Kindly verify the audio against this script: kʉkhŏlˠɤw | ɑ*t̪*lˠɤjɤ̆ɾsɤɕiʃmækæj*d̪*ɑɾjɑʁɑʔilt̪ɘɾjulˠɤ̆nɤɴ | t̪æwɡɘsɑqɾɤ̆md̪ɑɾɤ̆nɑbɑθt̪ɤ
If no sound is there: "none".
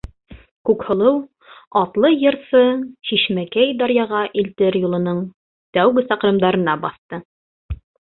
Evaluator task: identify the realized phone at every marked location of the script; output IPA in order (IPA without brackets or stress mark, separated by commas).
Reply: t̪, d̪